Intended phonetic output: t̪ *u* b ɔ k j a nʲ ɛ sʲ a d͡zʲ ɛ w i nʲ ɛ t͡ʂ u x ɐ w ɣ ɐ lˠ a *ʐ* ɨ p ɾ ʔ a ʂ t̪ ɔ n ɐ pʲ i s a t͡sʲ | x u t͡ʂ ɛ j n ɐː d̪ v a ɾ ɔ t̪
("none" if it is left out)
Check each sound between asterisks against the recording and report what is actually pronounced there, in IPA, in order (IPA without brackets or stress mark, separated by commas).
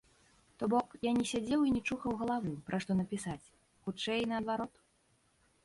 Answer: ɔ, v